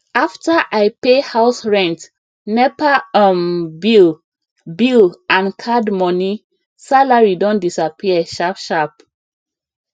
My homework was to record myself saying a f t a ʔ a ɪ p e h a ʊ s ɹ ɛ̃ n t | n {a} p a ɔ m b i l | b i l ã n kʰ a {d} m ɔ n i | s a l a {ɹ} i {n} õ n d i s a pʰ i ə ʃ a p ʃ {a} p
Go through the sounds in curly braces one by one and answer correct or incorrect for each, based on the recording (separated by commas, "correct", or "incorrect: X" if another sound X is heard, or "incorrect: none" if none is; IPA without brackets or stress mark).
incorrect: ɛ, correct, correct, incorrect: d, correct